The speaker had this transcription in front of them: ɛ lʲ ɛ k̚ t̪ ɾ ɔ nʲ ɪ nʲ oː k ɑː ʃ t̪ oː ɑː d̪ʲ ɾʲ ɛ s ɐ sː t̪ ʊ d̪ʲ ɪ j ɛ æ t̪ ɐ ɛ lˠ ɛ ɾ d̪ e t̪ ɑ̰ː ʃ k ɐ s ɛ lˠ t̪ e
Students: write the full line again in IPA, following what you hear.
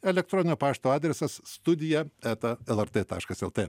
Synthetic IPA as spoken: ɛ lʲ ɛ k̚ t̪ ɾ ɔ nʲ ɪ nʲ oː p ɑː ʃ t̪ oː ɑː d̪ʲ ɾʲ ɛ s ɐ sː t̪ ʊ d̪ʲ ɪ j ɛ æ t̪ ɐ ɛ lˠ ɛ ɾ t̪ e t̪ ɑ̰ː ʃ k ɐ s ɛ lˠ t̪ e